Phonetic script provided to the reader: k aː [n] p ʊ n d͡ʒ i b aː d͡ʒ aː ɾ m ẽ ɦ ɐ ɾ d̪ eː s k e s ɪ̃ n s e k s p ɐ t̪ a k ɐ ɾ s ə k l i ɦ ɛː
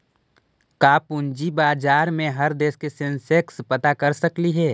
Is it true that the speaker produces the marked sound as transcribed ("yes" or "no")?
no